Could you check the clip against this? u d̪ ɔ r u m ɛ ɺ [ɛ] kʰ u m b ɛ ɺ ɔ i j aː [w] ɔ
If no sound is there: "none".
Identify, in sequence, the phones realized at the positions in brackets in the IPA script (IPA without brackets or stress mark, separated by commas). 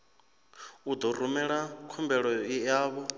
a, β